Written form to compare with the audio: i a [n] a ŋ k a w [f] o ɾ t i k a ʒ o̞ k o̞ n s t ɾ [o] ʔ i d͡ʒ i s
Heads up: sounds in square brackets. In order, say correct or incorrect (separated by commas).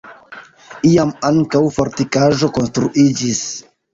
incorrect, correct, incorrect